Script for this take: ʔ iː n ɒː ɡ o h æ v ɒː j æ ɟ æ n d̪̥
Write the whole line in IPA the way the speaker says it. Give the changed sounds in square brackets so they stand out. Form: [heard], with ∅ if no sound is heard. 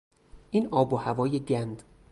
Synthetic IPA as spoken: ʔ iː n ɒː [b] o h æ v ɒː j [e] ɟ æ n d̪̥